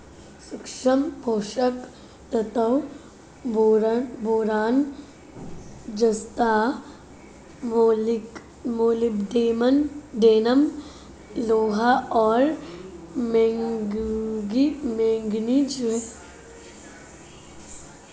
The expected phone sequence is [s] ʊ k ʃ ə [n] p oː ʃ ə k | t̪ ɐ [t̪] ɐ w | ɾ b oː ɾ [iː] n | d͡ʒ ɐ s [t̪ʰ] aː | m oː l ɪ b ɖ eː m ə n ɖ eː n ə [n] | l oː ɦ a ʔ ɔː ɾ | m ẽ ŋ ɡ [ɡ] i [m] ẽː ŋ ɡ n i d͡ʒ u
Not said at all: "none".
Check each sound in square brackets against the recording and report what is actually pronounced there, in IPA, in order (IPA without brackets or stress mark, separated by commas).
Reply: s, m, t̪, aː, t̪, m, ɡ, m